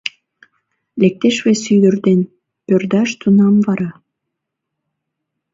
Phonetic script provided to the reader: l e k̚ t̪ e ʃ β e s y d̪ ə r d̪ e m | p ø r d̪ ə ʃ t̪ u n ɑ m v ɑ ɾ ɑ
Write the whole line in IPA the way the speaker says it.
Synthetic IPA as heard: l e k̚ t̪ e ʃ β e s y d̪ ə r d̪ e n | p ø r d̪ ɑ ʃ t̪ u n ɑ m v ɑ ɾ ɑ